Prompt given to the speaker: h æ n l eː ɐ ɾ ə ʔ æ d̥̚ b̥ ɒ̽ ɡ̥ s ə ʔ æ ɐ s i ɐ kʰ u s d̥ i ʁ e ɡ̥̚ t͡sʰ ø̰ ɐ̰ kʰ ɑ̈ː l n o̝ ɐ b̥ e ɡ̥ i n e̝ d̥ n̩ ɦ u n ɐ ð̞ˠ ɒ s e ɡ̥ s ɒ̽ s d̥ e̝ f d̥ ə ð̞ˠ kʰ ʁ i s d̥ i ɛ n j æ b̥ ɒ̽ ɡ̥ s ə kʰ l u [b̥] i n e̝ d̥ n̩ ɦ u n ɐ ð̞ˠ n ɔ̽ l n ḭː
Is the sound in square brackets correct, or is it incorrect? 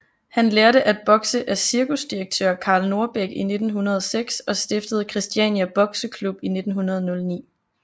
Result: correct